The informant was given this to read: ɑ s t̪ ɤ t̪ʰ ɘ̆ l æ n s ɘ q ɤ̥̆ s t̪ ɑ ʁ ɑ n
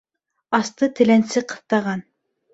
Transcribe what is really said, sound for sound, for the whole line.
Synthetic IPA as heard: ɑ s t̪ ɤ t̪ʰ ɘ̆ l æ n s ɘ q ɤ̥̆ θ t̪ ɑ ʁ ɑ n

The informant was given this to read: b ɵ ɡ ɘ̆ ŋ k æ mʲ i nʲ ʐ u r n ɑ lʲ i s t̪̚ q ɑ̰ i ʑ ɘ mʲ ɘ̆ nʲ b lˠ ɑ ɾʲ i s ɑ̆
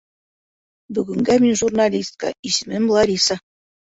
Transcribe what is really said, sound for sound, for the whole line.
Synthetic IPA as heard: b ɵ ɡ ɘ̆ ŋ ɡ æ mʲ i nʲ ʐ u r n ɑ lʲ i s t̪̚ k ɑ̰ i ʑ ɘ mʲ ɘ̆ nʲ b lˠ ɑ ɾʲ i s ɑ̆

